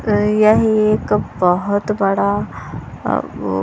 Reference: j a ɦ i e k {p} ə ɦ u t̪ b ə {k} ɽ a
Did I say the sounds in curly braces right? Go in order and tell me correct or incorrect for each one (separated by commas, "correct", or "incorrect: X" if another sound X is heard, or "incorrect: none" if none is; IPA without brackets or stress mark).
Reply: incorrect: b, incorrect: none